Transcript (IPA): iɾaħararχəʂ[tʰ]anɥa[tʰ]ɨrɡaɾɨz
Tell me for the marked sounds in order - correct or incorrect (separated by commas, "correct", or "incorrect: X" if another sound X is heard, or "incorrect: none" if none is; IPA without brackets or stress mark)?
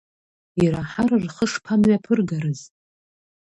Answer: incorrect: pʰ, incorrect: pʰ